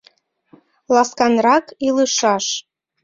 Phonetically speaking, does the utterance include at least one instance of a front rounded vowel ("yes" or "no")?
no